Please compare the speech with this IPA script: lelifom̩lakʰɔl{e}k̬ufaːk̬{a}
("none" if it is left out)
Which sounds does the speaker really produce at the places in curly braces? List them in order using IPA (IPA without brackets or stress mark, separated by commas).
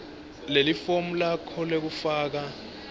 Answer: e, a